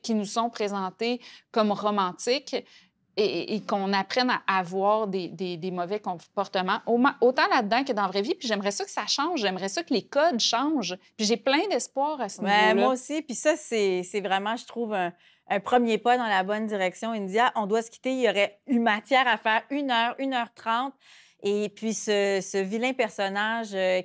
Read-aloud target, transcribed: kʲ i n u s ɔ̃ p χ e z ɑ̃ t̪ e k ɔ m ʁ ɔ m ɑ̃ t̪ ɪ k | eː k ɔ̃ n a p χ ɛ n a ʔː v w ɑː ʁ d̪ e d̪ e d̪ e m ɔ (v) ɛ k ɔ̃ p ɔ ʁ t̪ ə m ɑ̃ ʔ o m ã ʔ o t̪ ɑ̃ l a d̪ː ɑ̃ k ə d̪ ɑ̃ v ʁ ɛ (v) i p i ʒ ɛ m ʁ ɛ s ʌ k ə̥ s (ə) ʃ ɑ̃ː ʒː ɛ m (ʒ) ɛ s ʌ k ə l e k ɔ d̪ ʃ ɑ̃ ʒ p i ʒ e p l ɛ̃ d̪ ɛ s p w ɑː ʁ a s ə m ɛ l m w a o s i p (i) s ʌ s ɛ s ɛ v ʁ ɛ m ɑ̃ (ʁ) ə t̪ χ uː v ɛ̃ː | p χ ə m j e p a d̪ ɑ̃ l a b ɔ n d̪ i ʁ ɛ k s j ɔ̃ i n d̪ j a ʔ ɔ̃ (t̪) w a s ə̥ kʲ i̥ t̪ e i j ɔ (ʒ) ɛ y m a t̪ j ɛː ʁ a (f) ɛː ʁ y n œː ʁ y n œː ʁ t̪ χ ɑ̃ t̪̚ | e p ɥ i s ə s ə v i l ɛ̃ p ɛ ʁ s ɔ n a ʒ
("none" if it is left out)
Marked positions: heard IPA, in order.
v, v, a, ʁ, i, ʒ, d̪, ʁ, f

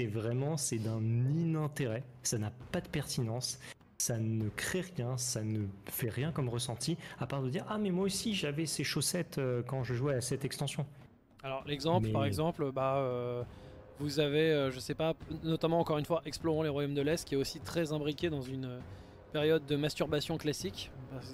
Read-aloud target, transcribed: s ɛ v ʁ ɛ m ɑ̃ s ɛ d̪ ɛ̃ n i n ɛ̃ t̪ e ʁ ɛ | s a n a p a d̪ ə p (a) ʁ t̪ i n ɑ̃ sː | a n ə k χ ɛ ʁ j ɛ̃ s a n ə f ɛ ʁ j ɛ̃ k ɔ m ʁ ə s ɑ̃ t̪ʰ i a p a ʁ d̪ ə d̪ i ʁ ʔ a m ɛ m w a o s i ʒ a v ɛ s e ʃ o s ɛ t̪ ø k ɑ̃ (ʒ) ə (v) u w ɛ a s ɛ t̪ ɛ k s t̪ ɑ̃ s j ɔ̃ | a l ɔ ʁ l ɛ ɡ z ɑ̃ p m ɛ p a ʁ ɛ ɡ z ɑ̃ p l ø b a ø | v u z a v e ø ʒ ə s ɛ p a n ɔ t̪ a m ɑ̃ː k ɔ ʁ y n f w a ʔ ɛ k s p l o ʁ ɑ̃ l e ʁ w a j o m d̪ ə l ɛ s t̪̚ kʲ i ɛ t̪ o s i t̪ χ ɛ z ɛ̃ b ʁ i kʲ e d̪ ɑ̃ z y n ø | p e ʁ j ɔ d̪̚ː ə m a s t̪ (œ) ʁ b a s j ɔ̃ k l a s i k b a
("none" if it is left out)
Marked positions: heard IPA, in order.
ɛ, ʒ, ʒ, y

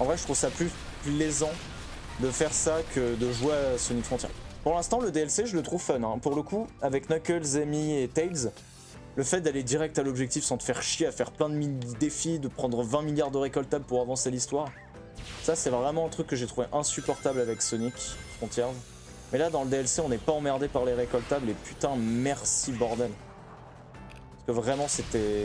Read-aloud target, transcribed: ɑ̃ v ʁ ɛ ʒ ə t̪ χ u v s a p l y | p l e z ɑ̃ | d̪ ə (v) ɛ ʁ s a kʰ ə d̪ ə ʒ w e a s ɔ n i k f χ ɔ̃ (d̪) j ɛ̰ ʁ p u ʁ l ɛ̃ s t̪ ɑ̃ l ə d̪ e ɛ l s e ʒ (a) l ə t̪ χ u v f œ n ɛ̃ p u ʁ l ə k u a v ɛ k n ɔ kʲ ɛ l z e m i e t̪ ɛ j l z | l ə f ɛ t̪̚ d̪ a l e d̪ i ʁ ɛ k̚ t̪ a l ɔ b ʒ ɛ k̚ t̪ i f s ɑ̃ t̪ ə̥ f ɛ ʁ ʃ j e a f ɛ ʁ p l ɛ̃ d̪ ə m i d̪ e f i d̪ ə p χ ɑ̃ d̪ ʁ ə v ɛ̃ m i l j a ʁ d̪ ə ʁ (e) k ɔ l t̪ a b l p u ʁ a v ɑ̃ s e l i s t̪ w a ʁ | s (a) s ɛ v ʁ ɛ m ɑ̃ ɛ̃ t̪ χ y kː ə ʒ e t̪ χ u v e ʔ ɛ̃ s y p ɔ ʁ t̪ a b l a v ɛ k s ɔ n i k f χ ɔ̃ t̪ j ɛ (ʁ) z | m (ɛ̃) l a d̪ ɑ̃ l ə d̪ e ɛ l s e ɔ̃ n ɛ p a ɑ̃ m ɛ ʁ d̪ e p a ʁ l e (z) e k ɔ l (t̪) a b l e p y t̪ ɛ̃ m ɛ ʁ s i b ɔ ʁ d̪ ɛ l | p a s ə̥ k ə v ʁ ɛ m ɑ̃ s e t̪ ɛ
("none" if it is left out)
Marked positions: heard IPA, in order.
f, t̪, ə, e, a, ʁ, ɛ, ʁ, t̪

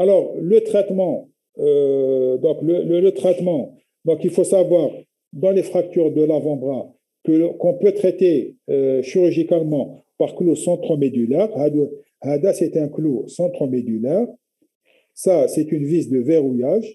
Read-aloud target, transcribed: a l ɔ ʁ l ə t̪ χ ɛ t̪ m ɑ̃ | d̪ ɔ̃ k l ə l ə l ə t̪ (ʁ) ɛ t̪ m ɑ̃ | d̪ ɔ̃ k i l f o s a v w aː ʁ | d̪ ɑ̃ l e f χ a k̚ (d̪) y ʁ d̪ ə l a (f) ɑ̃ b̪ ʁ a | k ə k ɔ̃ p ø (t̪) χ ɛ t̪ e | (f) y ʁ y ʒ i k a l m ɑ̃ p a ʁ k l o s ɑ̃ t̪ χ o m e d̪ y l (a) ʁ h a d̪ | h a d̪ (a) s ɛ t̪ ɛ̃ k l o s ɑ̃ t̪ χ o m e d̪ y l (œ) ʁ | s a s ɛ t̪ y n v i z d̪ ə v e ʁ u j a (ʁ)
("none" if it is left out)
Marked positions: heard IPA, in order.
χ, t̪, v, t̪, ʃ, ɛ, a, ɛ, ʒ

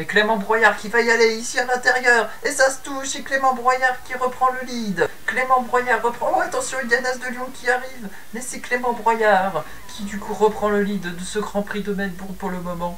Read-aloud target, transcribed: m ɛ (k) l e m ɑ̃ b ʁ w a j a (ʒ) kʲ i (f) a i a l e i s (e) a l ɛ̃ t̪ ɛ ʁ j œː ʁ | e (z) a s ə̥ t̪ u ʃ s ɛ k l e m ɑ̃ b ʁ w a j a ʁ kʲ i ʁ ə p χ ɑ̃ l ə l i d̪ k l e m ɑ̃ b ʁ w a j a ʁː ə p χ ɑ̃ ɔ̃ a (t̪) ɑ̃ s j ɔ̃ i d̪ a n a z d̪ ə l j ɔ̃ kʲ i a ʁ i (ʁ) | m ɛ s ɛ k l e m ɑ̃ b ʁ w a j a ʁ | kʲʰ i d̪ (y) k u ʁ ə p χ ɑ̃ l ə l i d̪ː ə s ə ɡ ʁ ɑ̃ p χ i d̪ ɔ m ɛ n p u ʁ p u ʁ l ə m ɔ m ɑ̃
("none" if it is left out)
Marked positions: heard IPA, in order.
k, ʁ, v, i, s, t̪, v, y

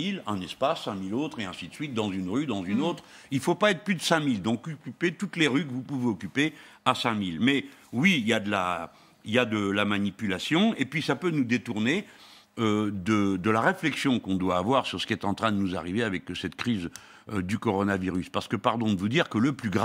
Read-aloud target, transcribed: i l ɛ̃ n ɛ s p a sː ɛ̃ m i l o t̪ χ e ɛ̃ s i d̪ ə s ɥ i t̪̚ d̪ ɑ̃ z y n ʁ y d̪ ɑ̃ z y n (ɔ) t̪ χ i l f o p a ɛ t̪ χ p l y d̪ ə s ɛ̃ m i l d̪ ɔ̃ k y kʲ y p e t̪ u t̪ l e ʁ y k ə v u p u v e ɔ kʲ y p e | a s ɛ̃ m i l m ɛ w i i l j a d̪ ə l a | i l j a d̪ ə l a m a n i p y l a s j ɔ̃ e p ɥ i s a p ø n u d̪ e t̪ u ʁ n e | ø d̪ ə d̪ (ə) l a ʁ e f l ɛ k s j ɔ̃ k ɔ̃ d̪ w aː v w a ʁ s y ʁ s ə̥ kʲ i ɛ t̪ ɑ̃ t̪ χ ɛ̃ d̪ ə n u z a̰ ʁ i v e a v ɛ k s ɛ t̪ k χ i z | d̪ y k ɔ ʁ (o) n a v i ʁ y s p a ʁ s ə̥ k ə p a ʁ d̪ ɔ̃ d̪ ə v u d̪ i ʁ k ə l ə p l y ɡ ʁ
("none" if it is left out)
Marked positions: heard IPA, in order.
o, ə, ɔ

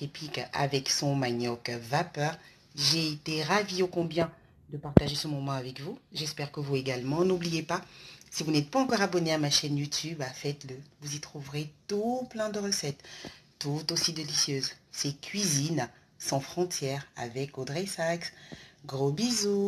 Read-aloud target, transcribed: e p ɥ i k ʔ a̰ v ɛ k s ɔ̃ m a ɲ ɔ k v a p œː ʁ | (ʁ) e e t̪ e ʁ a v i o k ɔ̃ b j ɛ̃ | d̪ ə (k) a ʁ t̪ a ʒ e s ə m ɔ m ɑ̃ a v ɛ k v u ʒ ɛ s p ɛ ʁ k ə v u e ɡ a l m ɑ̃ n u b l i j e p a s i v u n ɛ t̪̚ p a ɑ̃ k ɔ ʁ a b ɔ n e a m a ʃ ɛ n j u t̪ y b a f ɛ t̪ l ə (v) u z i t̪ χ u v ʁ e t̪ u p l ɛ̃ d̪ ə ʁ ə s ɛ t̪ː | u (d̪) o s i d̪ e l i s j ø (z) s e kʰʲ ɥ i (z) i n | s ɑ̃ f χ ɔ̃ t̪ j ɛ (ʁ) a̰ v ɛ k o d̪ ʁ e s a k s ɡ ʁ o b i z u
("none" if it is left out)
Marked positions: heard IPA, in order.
ʒ, p, v, t̪, z, z, ʁ

